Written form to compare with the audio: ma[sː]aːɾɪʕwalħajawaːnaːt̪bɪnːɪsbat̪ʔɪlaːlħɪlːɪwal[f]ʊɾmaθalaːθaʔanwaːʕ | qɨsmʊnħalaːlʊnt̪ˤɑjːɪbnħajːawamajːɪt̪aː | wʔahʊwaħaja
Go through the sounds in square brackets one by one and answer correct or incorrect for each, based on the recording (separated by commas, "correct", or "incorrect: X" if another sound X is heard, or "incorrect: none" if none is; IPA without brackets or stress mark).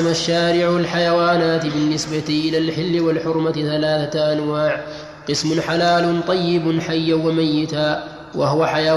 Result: incorrect: ʃː, incorrect: ħ